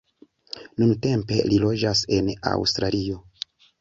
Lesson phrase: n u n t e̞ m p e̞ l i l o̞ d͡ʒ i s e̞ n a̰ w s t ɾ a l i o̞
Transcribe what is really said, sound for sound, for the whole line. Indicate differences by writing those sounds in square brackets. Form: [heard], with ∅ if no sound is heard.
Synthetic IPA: n u n t e̞ m p e̞ l i l o̞ d͡ʒ [a] s e̞ n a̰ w s t ɾ a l i o̞